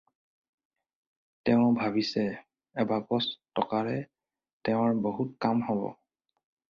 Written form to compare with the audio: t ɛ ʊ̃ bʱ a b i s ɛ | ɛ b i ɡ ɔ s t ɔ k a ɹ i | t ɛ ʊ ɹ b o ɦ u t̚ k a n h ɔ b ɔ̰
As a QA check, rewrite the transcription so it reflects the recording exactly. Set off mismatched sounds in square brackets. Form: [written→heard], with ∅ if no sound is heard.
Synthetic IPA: t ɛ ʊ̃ bʱ a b i s ɛ | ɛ b [i→a] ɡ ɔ s t ɔ k a ɹ [i→ɛ] | t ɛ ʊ ɹ b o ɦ u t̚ k a [n→m] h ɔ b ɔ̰